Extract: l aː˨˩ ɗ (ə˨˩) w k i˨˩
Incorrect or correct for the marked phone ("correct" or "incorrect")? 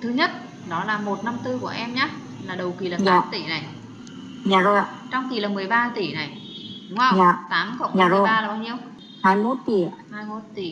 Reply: correct